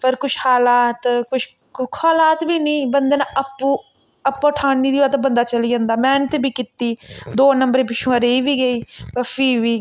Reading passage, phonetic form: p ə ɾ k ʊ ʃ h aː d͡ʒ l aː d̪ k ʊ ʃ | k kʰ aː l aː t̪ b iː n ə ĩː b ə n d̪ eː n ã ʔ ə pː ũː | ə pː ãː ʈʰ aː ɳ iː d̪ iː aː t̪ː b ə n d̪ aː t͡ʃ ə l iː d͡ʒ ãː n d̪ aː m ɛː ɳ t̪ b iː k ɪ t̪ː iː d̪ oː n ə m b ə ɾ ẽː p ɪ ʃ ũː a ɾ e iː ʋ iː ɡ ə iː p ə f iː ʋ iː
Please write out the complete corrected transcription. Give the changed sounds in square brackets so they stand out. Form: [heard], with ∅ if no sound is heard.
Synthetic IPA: p ə ɾ k ʊ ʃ h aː [∅] l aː [t̪] k ʊ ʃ | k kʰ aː l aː t̪ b iː n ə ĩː b ə n d̪ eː n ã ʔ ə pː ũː | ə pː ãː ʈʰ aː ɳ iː d̪ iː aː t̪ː b ə n d̪ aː t͡ʃ ə l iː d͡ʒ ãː n d̪ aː m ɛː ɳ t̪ b iː k ɪ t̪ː iː d̪ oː n ə m b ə ɾ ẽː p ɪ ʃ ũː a ɾ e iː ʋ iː ɡ ə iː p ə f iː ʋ iː